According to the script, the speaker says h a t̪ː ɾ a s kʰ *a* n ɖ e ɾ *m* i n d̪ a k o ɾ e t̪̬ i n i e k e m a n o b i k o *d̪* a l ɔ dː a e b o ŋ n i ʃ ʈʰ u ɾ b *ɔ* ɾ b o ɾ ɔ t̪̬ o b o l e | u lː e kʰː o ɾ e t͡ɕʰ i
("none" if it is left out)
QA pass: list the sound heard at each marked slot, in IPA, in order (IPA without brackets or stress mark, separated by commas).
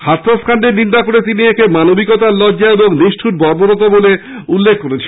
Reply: a, n, t̪, ɔ